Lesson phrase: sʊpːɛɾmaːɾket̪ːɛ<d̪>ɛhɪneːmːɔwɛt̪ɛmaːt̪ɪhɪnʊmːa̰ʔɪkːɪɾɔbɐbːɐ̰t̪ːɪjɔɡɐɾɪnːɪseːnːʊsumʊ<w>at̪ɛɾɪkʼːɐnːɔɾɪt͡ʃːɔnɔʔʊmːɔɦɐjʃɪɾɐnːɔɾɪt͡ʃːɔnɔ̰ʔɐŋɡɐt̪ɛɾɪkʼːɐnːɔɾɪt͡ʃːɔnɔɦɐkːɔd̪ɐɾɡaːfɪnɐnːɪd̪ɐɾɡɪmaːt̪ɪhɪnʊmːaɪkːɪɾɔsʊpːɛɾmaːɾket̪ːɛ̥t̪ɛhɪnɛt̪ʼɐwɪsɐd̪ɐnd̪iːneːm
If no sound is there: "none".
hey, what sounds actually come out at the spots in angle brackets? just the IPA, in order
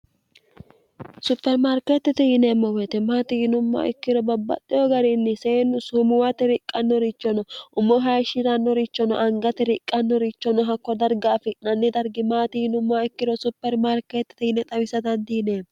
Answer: t̪, w

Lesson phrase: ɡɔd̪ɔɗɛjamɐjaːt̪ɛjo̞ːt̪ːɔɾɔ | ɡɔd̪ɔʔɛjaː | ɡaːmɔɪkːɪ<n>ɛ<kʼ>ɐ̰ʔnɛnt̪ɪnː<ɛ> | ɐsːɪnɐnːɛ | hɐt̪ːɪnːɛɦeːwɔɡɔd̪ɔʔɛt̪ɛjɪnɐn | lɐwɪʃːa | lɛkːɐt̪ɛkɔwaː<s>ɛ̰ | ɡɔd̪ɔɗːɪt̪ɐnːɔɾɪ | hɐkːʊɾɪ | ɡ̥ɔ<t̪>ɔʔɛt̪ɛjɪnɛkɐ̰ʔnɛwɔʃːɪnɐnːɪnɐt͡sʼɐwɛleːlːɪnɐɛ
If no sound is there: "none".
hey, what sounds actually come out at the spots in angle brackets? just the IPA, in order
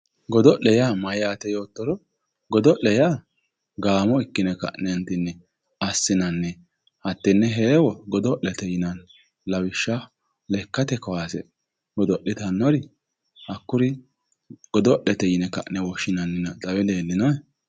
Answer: n, k, ɛ, s, d̪

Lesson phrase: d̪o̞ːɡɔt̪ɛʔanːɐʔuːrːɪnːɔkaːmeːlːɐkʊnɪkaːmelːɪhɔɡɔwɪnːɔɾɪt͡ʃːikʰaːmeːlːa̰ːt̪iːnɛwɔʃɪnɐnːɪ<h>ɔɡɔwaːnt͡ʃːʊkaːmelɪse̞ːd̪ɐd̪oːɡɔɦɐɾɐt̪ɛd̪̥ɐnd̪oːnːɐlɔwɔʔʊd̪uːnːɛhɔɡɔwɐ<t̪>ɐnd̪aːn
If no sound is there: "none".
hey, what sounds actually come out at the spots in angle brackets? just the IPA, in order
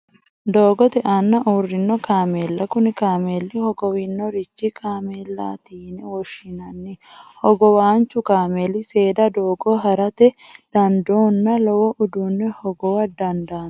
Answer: h, d̪

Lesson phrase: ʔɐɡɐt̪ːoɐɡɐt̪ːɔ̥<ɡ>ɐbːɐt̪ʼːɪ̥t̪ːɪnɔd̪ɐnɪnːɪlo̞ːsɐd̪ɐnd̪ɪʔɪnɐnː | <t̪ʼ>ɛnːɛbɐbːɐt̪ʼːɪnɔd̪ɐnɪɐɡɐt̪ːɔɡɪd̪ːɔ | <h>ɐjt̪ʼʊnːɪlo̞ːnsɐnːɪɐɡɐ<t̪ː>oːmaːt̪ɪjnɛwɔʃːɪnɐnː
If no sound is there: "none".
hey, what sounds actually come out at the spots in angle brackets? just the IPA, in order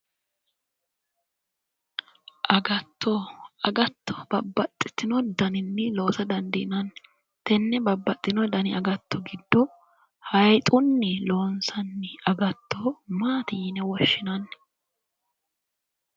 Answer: b, t̪, h, t̪ː

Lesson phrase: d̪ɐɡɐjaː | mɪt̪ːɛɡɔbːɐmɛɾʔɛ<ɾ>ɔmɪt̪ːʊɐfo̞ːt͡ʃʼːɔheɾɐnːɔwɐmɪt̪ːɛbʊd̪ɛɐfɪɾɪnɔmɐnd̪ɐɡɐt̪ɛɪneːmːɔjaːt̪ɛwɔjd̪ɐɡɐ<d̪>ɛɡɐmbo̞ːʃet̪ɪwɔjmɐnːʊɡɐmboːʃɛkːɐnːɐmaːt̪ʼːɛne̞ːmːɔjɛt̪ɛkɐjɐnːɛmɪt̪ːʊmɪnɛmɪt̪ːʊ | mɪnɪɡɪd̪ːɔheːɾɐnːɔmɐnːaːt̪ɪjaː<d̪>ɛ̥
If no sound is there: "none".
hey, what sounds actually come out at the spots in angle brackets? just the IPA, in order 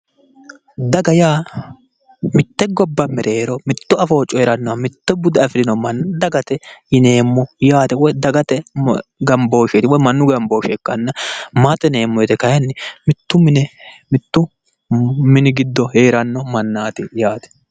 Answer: ɾ, t̪, t̪

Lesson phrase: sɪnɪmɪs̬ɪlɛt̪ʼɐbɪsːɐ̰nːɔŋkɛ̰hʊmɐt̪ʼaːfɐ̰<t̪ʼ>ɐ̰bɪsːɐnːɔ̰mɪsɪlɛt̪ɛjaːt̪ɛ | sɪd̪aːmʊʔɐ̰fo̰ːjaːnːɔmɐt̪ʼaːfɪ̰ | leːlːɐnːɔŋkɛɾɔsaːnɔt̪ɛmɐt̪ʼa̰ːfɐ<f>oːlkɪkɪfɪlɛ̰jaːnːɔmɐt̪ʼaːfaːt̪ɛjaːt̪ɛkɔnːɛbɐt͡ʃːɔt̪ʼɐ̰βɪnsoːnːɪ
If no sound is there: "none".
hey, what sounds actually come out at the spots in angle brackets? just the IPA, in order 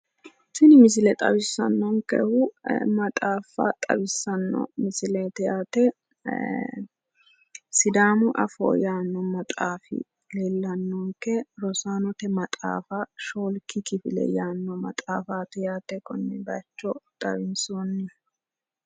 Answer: t̪ʼ, ʃ

